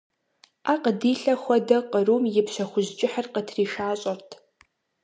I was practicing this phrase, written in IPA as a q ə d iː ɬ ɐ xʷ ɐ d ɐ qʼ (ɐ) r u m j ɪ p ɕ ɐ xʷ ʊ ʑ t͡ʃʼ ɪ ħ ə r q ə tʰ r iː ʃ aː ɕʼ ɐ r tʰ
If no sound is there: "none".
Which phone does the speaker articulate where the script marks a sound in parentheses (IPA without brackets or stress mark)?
ə